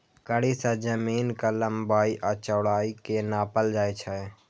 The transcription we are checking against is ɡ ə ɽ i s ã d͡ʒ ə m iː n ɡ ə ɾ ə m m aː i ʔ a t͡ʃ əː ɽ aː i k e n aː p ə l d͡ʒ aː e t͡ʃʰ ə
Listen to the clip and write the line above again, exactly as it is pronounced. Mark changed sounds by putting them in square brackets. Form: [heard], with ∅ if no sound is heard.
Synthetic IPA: [k] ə ɽ i s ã d͡ʒ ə m iː n [k] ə [l] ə m [b] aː i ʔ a t͡ʃ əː ɽ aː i k e n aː p ə l d͡ʒ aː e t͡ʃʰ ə